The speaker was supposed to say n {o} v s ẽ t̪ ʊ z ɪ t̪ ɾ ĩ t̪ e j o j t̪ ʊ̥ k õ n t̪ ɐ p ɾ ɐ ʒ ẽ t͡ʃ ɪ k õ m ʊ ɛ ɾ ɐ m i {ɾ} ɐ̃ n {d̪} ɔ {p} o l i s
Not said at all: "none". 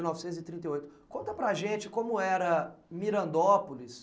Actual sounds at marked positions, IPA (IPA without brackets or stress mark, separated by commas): ɔ, ɾ, d̪, p